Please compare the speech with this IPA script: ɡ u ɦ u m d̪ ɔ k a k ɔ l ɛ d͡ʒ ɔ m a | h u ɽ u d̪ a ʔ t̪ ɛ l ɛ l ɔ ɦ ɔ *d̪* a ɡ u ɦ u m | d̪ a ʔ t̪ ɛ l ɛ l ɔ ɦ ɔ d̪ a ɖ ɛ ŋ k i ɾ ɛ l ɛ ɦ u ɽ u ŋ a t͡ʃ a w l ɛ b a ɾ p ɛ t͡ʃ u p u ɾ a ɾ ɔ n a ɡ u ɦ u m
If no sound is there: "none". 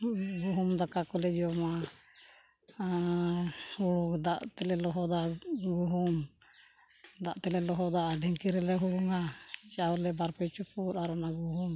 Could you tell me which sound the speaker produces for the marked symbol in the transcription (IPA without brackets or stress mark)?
d̪